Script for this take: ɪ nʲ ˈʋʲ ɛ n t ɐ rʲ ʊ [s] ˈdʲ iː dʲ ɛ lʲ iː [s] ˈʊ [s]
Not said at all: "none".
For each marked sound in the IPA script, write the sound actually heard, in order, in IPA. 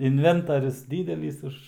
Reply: s, s, ʃ

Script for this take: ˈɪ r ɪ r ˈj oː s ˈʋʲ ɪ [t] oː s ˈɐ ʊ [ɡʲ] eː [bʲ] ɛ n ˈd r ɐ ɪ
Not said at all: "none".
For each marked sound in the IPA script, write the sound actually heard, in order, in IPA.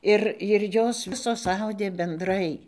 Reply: s, dʲ, bʲ

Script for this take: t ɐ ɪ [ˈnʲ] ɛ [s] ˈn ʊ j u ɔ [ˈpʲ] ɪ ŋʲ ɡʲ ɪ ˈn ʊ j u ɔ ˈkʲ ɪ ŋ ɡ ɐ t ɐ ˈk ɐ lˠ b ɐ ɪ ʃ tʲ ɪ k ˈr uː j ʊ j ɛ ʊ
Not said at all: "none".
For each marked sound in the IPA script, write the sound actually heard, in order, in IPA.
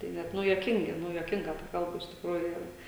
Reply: nʲ, t, kʲ

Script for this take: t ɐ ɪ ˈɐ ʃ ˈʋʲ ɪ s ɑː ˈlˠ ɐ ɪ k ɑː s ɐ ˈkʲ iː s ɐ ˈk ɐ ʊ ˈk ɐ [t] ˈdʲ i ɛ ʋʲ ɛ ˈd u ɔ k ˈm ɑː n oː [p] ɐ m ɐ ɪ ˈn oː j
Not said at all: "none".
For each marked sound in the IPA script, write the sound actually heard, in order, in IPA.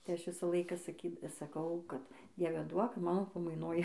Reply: t, p

